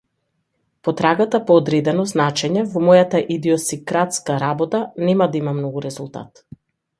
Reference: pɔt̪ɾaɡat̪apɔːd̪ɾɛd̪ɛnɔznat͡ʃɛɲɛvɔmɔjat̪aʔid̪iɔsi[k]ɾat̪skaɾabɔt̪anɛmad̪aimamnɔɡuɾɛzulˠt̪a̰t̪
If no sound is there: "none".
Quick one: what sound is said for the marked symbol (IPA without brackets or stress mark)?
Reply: k